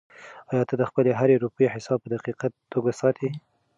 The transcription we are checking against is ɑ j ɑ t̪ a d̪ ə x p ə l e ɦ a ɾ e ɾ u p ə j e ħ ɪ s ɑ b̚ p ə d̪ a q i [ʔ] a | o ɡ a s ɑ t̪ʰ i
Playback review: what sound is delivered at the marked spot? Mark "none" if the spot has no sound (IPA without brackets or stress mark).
q